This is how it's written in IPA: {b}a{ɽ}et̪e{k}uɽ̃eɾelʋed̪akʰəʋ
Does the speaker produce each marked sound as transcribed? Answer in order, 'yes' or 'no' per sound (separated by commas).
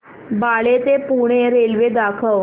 yes, no, no